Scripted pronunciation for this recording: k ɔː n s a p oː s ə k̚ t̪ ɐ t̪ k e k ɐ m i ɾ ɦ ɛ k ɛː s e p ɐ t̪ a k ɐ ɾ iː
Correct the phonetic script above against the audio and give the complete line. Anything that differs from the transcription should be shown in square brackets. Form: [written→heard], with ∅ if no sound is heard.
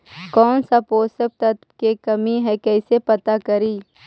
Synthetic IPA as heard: k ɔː n s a p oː s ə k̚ t̪ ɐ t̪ k e k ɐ m i [ɾ→∅] ɦ ɛ k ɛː s e p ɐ t̪ a k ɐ ɾ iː